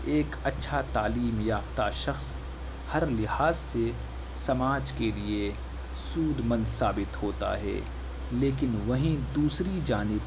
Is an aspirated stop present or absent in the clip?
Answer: absent